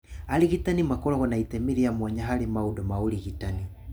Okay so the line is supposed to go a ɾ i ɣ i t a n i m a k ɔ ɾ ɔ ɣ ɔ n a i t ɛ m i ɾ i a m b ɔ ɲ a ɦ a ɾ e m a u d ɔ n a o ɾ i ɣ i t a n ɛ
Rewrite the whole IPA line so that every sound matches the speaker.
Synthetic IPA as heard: a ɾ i ɣ i t a n i m a k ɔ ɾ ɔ ɣ ɔ n a i t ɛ m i ɾ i a m w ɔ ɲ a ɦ a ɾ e m a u d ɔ m a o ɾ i ɣ i t a n i

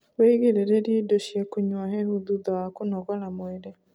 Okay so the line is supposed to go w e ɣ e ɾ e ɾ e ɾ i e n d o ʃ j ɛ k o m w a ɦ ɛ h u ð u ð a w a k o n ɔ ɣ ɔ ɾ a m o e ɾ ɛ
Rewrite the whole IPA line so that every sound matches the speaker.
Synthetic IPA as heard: w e ɣ e ɾ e ɾ e ɾ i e d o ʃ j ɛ k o ɲ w a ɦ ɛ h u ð u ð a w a k o n ɔ ɣ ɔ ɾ a m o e ɾ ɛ

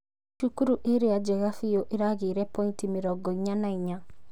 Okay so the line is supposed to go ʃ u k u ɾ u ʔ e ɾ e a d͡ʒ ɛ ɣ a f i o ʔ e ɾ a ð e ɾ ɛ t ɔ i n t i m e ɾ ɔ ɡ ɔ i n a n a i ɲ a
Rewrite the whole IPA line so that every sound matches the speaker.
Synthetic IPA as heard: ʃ u k u ɾ u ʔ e ɾ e a d͡ʒ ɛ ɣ a f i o ʔ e ɾ a ɣ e ɾ ɛ p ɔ i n t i m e ɾ ɔ ɡ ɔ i ɲ a n a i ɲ a

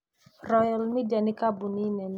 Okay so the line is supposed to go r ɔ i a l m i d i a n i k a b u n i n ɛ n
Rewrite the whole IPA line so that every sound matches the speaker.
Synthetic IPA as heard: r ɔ j a l m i d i a n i k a b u n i n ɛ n

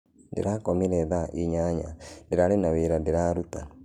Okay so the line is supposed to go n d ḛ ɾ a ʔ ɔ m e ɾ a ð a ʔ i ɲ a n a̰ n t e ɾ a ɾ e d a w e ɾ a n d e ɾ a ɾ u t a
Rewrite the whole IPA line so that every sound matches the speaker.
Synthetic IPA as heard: n d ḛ ɾ a k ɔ m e ɾ ɛ ð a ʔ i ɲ a ɲ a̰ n d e ɾ a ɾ e n a w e ɾ a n d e ɾ a ɾ u t a

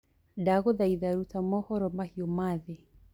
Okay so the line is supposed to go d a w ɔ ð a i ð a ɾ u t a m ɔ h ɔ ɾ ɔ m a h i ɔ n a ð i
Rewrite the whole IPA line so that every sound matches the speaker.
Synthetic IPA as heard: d a ɣ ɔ ð a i ð a ɾ u t a m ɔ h ɔ ɾ ɔ m a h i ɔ m a ð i

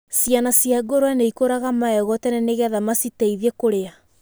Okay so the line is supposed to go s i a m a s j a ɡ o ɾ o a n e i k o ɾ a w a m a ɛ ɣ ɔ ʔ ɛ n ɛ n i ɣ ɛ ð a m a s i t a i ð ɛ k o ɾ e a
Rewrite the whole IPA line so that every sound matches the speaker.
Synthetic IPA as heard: s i a n a s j a ɡ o ɾ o a n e i k o ɾ a ɣ a m a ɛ ɣ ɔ t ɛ n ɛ n e ɣ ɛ ð a m a s i t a i ð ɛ k o ɾ e a

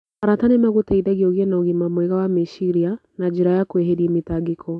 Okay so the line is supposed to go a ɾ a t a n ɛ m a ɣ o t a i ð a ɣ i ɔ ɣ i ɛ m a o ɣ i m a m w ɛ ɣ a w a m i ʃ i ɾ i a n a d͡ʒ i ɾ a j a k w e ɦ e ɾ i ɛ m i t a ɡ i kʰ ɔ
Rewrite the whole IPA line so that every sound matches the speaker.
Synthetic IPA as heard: a ɾ a t a n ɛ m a ɣ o t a i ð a ɣ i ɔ ɣ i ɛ n a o ɣ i m a m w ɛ ɣ a w a m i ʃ i ɾ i a n a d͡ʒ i ɾ a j a k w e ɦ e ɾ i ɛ m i t a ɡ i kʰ ɔ

